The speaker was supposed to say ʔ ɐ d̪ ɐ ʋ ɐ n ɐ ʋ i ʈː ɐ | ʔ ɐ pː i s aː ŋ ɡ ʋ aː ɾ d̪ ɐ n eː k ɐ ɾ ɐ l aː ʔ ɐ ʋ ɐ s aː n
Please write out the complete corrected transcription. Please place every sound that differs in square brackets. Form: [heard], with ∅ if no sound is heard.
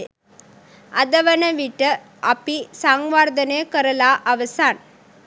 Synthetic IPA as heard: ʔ ɐ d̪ ɐ ʋ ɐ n ɐ ʋ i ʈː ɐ | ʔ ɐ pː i s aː ŋ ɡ ʋ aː ɾ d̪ ɐ n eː k ɐ ɾ ɐ l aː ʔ ɐ ʋ ɐ s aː n